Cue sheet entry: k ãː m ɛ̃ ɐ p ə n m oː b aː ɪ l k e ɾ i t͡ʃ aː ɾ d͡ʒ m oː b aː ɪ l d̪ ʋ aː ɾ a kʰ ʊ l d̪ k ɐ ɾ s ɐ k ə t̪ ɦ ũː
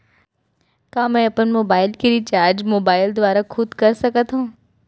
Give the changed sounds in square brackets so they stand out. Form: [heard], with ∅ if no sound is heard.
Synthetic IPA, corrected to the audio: k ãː m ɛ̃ ɐ p ə n m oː b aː ɪ l k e ɾ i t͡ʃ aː ɾ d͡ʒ m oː b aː ɪ l d̪ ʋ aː ɾ a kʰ ʊ [∅] d̪ k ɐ ɾ s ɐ k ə t̪ ɦ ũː